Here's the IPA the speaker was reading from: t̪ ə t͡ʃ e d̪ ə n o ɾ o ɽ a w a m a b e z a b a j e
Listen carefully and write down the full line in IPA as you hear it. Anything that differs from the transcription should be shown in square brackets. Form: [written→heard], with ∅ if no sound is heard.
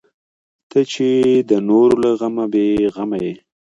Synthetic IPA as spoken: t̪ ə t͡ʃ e d̪ ə n o ɾ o [ɽ→l] a [w→ɣ] a m a b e [z→ɣ] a [b→m] a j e